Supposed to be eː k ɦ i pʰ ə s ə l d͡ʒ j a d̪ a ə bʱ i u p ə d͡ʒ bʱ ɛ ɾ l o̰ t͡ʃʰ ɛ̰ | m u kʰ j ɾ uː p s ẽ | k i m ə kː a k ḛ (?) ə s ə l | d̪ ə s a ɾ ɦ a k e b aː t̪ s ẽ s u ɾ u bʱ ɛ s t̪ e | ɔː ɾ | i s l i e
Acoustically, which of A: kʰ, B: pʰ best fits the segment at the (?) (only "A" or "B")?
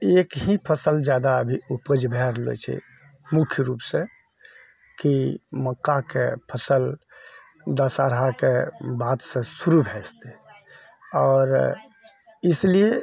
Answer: B